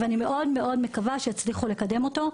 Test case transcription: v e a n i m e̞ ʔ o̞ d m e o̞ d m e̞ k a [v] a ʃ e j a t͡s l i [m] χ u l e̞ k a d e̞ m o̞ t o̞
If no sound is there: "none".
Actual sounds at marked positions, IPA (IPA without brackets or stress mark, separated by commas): v, none